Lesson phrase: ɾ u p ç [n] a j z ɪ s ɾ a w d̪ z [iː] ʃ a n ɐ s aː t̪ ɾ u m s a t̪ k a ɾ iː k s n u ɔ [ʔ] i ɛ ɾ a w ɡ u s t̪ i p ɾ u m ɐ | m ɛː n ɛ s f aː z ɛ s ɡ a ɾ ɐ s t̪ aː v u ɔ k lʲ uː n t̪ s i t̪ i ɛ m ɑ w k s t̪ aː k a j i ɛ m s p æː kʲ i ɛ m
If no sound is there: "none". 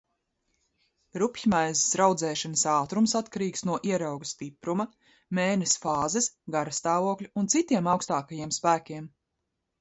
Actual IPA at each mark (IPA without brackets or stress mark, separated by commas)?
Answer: m, ɛː, ʔ